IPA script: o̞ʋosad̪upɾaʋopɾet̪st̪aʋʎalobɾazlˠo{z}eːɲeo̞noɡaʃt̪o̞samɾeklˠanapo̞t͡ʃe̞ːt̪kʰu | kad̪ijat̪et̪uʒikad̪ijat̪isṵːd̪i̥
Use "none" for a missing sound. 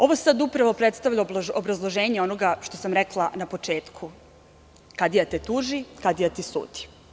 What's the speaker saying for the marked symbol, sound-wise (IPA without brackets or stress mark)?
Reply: ʒ